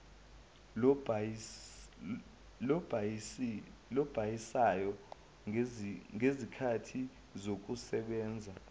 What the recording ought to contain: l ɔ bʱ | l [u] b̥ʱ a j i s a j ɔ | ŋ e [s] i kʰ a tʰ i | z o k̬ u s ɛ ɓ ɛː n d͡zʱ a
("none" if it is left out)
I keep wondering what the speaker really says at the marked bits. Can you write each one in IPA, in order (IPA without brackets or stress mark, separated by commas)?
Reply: ɔ, z